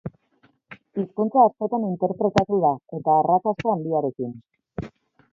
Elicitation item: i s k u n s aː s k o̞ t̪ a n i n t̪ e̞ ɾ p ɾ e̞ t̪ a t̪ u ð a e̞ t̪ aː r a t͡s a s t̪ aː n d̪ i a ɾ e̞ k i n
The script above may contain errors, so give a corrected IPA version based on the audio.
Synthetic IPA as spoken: i s k u n t͡s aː s k o̞ t̪ a n i n t̪ e̞ ɾ p ɾ e̞ t̪ a t̪ u ð a e̞ t̪ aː r a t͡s a s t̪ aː n d̪ i a ɾ e̞ k i n